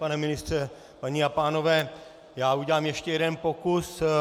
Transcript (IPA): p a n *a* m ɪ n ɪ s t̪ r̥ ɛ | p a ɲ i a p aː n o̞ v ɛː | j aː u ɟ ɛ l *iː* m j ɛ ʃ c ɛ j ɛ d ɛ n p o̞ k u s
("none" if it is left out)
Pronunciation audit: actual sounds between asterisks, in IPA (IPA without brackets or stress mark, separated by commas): ɛ, aː